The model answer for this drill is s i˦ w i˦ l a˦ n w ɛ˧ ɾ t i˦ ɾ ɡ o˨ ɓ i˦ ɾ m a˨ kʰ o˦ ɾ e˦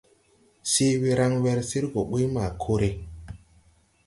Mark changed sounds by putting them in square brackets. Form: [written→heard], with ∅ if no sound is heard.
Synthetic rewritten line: s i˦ w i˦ [l→ɾ] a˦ [n→ŋ] w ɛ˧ ɾ [t→s] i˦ ɾ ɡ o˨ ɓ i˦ [ɾ→∅] m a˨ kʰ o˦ ɾ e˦